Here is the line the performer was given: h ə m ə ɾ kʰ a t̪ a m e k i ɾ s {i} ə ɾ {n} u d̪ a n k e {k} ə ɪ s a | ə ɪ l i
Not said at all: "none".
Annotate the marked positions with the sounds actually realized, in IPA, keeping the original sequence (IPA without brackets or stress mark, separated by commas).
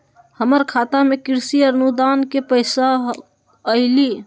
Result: i, n, p